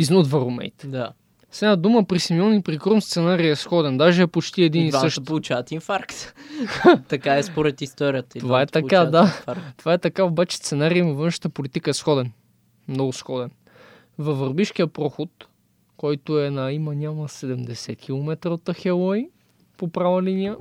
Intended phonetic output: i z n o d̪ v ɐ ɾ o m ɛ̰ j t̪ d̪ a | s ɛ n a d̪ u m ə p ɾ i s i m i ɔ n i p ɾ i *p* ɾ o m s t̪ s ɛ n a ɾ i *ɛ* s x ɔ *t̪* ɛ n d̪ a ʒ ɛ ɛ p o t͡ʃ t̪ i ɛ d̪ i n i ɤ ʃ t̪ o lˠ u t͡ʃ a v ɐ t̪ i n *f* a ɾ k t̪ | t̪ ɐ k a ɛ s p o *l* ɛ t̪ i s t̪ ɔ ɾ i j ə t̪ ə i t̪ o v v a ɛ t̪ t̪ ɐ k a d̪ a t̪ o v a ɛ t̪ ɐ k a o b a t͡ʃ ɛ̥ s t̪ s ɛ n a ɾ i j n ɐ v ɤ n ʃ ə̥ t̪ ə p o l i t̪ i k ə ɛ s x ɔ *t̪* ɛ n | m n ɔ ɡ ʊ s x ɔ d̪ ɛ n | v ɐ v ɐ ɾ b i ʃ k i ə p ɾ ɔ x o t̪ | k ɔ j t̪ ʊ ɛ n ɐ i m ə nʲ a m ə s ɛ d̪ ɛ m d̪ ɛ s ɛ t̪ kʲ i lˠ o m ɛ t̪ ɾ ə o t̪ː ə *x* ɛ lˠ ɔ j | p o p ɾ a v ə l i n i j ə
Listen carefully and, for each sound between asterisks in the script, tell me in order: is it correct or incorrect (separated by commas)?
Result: incorrect, correct, incorrect, correct, incorrect, incorrect, correct